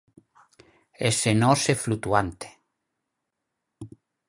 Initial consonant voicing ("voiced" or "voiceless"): voiceless